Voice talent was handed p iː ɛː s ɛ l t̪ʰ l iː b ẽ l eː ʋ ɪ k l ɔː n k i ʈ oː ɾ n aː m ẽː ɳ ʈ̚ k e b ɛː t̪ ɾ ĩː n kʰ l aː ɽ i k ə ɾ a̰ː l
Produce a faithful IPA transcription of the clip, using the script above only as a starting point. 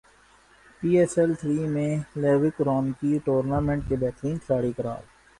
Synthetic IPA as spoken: p iː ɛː s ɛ l t̪ʰ ɾ iː m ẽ l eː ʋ ɪ k ɾ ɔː n k i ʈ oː ɾ n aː m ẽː ɳ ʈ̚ k e b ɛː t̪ ɾ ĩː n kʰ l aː ɽ i k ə ɾ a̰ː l